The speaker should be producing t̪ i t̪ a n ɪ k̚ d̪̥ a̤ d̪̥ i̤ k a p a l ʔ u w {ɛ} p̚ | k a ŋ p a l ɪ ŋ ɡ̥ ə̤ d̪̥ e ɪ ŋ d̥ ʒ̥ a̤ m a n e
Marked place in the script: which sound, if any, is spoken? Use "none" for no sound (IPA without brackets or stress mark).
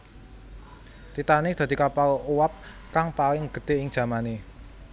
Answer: a